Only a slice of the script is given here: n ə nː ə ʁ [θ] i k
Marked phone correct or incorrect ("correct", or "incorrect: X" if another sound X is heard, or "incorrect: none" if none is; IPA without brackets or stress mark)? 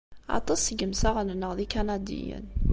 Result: incorrect: ð